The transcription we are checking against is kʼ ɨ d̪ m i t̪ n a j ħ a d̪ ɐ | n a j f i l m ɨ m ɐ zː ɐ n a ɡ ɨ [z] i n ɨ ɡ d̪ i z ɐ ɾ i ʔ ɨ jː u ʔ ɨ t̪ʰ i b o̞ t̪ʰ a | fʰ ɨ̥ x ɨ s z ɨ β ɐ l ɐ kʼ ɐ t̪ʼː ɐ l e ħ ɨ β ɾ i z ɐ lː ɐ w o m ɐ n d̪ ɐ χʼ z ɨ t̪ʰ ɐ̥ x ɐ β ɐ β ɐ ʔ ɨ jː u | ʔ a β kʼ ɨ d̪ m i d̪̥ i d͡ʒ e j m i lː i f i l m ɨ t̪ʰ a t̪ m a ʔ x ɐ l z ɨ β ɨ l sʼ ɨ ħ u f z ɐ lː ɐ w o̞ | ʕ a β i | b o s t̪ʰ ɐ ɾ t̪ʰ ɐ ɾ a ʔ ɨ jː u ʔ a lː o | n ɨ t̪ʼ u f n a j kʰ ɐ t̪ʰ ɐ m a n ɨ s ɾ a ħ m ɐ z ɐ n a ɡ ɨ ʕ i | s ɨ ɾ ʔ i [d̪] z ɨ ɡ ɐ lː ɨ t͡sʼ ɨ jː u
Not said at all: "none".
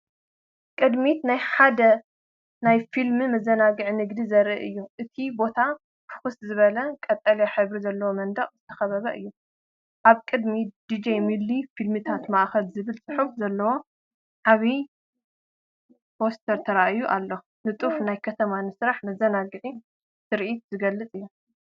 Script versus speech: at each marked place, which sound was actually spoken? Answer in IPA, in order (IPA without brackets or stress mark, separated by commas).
ʕ, t̪